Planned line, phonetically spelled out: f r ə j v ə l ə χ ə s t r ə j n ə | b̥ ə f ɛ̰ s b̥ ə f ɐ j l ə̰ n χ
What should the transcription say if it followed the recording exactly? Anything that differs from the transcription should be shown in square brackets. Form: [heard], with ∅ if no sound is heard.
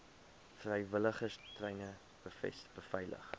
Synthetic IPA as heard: f r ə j v ə l ə χ ə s t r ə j n ə | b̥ ə f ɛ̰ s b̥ ə f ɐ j l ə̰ [∅] χ